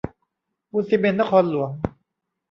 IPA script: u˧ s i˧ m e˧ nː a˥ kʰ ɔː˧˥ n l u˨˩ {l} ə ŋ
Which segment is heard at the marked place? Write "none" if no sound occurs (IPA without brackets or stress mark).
none